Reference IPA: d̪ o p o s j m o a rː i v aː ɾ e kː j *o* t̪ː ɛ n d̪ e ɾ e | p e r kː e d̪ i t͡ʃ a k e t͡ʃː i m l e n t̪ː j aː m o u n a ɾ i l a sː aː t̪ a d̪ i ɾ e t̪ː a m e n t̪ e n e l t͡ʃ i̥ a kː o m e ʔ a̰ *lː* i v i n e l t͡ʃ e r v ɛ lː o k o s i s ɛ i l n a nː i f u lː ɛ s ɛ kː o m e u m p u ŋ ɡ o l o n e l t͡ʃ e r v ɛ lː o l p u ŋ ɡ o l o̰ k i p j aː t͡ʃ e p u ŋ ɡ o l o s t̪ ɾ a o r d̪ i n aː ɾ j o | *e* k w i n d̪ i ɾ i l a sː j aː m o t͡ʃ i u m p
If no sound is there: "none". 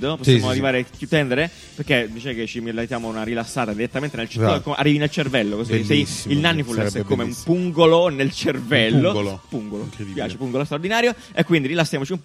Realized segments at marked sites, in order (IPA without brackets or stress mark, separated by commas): u, rː, e